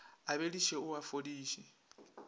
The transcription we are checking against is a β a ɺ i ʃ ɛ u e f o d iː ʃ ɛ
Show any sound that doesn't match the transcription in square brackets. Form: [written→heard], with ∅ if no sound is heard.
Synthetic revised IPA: a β [a→e] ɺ i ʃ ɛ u [e→a] f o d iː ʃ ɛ